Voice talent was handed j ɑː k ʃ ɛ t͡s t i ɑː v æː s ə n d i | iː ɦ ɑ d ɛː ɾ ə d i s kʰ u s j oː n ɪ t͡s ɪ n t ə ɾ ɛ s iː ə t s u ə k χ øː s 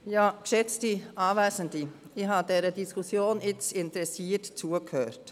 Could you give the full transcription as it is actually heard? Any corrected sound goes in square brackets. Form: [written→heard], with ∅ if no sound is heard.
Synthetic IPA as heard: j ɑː k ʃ ɛ t͡s t i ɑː v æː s ə n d i | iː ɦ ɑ d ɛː ɾ ə d i s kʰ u s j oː n ɪ t͡s ɪ n t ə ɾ ɛ s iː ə t [s→t͡s] u ə k [χ→h] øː [s→t]